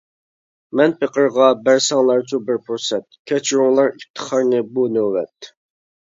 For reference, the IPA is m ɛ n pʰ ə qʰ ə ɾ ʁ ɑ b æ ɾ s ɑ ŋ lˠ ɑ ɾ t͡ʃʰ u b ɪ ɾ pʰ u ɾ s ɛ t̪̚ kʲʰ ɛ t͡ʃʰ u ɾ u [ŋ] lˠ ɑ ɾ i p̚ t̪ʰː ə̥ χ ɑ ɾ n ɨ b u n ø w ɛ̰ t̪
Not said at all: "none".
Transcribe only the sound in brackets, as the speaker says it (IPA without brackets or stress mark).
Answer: ŋ